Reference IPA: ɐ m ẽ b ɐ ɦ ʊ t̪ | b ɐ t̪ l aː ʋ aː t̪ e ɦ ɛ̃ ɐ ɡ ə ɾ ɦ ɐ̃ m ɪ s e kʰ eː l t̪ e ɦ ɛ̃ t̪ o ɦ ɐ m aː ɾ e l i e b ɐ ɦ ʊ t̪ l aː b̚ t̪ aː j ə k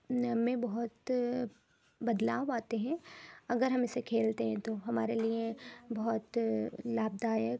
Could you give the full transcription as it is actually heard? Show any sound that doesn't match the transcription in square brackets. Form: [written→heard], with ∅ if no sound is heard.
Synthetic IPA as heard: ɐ m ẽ b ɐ ɦ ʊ t̪ | b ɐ [t̪→d̪] l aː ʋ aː t̪ e ɦ ɛ̃ ɐ ɡ ə ɾ ɦ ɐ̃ m ɪ s e kʰ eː l t̪ e ɦ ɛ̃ t̪ o ɦ ɐ m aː ɾ e l i e b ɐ ɦ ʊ t̪ l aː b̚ [t̪→d̪] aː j ə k